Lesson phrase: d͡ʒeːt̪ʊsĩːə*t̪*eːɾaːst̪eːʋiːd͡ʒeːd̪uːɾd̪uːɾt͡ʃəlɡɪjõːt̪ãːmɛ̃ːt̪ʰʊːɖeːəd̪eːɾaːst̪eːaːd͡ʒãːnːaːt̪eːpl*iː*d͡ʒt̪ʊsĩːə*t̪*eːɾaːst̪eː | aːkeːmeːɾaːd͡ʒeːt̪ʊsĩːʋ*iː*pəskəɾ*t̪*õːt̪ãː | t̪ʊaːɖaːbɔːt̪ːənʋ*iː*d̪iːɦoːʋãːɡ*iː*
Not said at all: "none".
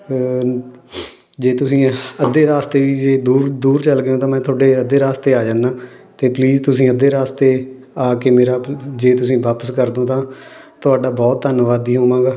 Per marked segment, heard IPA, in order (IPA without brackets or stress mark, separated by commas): d̪, iː, d̪, aː, d̪, aː, aː